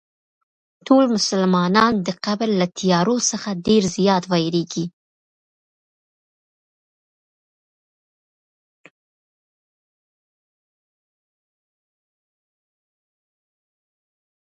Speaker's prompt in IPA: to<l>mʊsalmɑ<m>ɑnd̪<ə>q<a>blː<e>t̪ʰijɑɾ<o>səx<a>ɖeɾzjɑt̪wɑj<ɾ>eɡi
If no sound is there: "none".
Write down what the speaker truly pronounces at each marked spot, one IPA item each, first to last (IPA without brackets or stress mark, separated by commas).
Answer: l, n, ə, a, a, o, a, ɾ